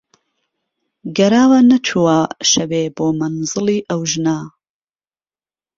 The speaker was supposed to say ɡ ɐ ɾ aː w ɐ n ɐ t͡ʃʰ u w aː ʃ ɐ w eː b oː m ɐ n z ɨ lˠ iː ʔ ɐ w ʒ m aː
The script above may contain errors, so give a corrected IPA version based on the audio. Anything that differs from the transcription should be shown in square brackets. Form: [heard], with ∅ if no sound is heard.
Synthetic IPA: ɡ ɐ ɾ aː w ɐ n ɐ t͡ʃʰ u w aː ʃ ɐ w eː b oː m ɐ n z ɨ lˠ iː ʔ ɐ w ʒ [n] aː